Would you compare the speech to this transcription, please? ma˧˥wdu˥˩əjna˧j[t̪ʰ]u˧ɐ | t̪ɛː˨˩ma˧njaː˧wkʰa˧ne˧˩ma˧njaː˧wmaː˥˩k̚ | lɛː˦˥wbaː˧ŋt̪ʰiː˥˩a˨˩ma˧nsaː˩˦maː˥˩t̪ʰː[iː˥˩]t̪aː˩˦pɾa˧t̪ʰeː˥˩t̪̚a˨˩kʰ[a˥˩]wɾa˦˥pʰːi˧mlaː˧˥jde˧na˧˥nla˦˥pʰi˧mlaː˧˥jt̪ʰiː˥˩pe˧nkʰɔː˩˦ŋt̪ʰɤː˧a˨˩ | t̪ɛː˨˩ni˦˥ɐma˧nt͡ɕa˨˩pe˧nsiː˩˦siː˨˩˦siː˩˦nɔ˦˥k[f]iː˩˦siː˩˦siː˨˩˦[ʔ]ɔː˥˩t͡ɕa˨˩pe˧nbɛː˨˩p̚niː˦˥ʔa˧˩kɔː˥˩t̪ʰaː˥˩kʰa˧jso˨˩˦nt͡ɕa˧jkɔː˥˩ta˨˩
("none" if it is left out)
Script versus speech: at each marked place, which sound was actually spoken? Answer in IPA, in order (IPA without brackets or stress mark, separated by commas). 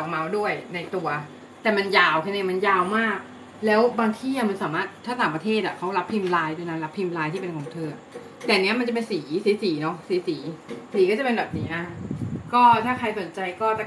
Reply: t̪, aː˥˩, a˦˥, s, k